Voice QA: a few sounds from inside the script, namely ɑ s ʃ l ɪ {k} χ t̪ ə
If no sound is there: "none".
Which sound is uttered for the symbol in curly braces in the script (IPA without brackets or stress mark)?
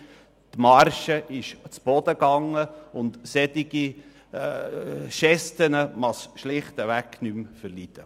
none